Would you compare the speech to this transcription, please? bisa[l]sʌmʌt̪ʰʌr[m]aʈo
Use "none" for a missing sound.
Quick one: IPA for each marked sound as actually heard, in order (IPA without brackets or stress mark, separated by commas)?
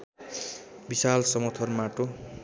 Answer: l, m